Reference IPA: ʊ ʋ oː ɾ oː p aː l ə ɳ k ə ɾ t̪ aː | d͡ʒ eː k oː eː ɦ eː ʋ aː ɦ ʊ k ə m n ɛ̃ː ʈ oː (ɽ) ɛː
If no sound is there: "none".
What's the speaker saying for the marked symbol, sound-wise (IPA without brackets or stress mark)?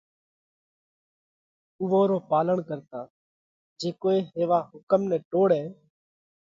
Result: ɽ